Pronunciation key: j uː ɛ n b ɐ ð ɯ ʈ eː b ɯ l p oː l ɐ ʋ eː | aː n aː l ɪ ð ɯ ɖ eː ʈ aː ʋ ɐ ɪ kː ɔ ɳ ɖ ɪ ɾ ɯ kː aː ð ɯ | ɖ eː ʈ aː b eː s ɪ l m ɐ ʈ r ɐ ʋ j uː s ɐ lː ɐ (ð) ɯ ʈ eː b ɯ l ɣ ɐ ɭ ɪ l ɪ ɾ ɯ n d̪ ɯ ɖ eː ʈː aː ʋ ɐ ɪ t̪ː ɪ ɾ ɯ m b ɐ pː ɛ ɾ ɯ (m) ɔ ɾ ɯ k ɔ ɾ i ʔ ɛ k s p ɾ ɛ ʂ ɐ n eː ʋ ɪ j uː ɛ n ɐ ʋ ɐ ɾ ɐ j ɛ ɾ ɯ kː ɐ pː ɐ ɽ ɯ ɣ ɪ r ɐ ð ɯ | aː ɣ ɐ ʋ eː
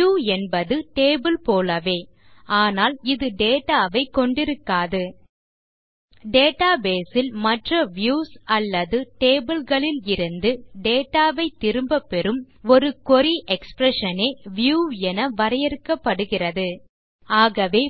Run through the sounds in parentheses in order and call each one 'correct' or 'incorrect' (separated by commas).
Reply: correct, correct